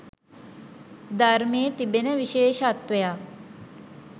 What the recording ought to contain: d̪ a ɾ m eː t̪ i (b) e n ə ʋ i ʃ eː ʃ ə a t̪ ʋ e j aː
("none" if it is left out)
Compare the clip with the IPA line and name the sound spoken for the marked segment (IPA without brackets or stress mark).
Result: b